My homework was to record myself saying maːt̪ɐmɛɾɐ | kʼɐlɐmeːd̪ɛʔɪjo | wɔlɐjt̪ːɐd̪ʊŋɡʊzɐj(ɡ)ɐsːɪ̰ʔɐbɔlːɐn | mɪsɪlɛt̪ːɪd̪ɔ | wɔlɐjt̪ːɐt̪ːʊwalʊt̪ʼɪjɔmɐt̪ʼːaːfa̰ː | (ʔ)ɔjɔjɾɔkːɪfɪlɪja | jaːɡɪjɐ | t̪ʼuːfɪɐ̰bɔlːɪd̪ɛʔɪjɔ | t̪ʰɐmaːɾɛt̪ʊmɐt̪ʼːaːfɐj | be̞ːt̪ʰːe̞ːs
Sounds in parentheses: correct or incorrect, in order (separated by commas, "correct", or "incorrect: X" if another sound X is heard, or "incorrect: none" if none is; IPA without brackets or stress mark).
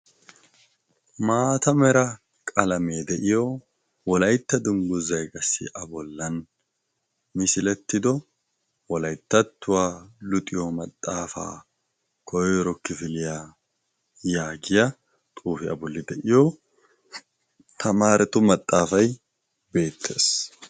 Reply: correct, incorrect: k